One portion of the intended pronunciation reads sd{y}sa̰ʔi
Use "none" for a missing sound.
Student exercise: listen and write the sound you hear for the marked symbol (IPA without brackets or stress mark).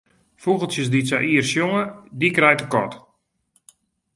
i